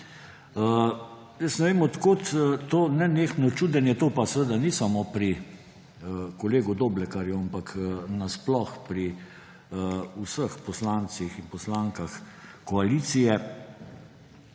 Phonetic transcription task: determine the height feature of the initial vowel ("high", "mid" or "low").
mid